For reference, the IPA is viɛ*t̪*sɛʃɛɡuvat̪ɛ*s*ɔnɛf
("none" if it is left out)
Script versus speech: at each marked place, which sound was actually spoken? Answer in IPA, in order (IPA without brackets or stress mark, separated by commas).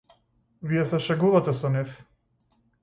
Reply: none, s